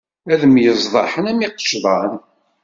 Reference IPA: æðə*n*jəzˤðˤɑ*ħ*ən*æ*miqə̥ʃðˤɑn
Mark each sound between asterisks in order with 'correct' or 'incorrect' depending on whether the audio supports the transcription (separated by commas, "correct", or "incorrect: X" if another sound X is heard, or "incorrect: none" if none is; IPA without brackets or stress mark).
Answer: incorrect: m, correct, correct